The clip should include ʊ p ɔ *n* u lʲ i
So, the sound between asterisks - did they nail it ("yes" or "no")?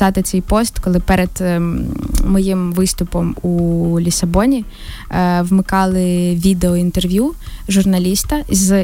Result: no